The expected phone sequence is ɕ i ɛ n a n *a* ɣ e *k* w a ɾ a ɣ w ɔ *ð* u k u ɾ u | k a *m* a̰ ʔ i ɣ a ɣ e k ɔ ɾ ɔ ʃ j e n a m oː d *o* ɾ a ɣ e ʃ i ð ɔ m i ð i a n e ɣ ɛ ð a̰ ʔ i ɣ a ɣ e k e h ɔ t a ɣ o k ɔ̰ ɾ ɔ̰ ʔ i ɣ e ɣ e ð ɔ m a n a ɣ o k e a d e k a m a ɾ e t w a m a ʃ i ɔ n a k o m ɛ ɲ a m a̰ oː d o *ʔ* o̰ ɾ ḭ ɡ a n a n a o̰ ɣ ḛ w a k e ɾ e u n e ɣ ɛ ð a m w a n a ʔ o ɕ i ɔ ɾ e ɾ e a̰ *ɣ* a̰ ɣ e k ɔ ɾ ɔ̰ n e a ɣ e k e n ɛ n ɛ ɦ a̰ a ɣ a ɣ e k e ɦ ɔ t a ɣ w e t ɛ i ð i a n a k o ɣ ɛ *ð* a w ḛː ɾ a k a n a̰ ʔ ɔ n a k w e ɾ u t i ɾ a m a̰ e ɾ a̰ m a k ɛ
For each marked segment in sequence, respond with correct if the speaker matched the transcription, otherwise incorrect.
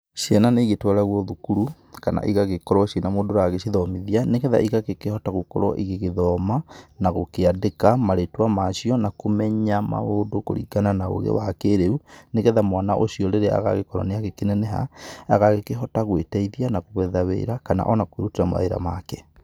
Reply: incorrect: e, incorrect: t, correct, incorrect: n, correct, incorrect: k, correct, correct

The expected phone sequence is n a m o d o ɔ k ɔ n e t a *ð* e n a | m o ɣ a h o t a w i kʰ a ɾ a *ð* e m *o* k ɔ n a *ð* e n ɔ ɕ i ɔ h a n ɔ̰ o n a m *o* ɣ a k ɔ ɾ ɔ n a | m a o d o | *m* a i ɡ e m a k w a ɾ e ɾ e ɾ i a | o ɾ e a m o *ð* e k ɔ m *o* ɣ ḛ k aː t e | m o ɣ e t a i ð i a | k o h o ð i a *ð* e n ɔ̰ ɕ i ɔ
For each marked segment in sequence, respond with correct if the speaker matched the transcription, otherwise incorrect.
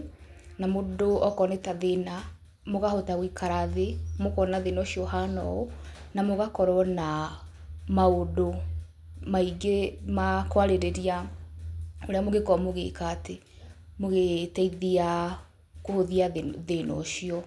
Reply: correct, correct, correct, correct, correct, correct, incorrect: ɣ, correct, correct

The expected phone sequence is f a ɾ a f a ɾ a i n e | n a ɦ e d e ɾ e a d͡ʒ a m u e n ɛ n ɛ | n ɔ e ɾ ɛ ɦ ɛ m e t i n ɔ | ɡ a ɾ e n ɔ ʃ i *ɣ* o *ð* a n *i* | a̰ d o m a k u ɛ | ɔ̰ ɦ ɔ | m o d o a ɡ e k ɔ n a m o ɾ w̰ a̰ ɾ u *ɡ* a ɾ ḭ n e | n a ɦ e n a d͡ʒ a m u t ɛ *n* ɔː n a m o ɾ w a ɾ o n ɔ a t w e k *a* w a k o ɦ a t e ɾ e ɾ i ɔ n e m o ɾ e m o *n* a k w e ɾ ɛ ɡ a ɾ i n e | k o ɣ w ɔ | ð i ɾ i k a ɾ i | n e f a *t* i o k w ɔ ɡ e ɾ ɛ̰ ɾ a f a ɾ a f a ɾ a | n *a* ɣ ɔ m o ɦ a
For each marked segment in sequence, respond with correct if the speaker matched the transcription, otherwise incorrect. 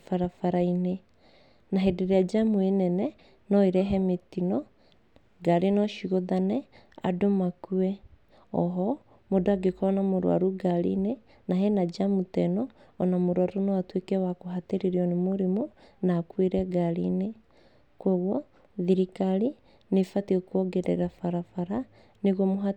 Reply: correct, correct, incorrect: ɛ, correct, correct, incorrect: ɛ, correct, correct, incorrect: e

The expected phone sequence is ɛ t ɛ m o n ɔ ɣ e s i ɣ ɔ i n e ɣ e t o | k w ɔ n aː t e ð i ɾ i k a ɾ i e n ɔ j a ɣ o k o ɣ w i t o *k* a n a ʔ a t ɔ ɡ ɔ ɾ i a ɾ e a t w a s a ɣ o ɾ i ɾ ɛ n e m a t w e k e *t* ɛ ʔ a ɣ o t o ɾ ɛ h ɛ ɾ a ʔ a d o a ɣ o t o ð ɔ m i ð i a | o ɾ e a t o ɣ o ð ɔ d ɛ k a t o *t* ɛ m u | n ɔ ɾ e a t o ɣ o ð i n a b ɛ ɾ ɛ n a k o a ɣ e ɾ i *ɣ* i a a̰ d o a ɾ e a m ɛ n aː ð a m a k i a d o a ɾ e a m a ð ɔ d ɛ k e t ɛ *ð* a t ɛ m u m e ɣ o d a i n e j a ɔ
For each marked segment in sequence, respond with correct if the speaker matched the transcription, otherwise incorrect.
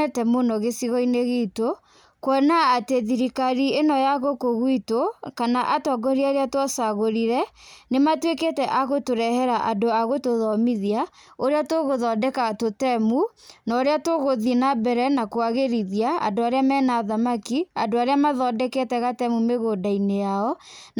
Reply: correct, correct, correct, incorrect: ð, incorrect: ɣ

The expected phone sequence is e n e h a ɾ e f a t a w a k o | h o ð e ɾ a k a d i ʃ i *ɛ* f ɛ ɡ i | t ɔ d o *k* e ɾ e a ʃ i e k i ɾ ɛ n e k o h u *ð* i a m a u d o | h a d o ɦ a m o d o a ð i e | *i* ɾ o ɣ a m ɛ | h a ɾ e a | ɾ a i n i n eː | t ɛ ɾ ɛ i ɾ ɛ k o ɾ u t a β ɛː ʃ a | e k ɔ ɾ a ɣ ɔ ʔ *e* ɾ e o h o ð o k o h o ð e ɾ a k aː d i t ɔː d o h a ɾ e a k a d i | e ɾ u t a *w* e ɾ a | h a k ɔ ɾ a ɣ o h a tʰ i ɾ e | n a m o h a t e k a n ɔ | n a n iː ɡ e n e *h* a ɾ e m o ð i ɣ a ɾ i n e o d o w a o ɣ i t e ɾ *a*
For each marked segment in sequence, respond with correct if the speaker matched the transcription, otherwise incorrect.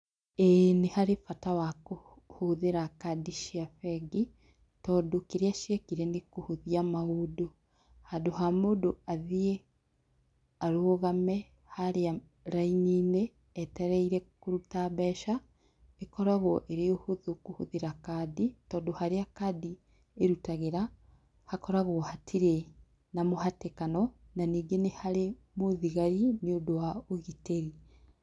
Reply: incorrect: a, correct, correct, incorrect: a, correct, incorrect: ɣ, correct, incorrect: i

